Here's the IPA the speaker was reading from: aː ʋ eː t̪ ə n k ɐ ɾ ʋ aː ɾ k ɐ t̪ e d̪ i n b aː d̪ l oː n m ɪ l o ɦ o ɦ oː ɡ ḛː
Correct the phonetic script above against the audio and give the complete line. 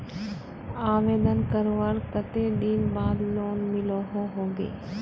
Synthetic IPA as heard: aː ʋ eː d̪ ə n k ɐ ɾ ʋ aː ɾ k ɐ t̪ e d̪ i n b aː d̪ l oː n m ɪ l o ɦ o ɦ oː ɡ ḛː